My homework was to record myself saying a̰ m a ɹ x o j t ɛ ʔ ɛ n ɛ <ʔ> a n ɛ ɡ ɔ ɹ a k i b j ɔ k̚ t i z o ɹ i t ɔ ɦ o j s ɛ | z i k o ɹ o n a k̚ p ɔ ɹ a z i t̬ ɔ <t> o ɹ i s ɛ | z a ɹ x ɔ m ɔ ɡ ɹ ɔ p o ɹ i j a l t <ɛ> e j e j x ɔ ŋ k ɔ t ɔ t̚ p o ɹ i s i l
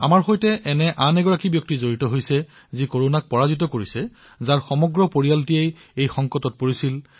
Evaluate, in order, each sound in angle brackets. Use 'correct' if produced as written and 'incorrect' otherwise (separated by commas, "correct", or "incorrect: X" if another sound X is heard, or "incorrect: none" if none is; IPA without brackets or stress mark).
correct, incorrect: k, incorrect: i